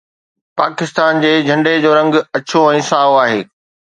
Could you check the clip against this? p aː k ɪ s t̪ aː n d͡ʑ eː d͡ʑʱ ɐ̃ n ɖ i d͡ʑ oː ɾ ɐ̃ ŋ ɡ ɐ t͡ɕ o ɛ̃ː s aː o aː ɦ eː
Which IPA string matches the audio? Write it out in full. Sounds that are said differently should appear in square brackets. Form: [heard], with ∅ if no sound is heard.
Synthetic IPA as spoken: p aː k ɪ s t̪ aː n d͡ʑ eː d͡ʑʱ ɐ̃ [ɳ] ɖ [e] d͡ʑ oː ɾ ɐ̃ ŋ ɡ ɐ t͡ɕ o ɛ̃ː s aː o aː ɦ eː